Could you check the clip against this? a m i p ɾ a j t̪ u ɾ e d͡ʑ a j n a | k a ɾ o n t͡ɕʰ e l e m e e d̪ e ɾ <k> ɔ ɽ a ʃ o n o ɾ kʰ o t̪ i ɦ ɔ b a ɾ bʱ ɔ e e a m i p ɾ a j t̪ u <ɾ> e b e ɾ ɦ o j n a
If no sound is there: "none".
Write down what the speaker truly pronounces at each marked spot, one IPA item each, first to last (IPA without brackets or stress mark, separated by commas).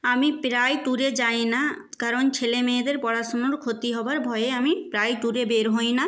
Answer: p, ɾ